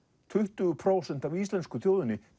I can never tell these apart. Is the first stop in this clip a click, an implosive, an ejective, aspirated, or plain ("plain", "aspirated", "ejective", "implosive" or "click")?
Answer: aspirated